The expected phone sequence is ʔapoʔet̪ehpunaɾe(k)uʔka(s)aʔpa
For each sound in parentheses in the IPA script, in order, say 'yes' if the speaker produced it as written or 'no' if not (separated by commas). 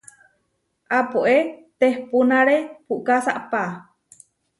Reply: no, yes